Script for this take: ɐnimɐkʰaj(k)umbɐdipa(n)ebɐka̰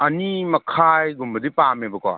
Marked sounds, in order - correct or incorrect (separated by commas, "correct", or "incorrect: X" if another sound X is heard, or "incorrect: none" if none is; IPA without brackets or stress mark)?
incorrect: ɡ, incorrect: m